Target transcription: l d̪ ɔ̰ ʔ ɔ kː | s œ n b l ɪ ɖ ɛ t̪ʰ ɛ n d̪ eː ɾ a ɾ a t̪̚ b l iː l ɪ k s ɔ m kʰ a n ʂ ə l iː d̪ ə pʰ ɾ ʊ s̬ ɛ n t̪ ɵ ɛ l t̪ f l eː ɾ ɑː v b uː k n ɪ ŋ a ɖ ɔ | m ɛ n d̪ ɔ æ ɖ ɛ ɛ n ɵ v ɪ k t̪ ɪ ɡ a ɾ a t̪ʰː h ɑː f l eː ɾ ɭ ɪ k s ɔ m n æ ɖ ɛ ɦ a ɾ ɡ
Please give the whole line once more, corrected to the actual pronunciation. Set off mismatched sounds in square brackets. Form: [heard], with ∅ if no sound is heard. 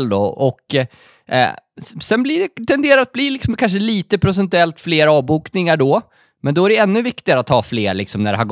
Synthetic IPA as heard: l d̪ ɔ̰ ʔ ɔ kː | s [ɛ] n b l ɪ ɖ ɛ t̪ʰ ɛ n d̪ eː ɾ a ɾ a t̪̚ b l iː l ɪ k s ɔ m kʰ a n ʂ ə l iː [t̪] ə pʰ ɾ ʊ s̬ ɛ n t̪ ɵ ɛ l t̪ f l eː ɾ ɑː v b uː k n ɪ ŋ a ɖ ɔ | m ɛ n d̪ ɔ æ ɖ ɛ ɛ [nː] ɵ v ɪ k t̪ ɪ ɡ a ɾ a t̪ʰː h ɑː f l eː ɾ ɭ ɪ k s ɔ m n æ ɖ ɛ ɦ a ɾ ɡ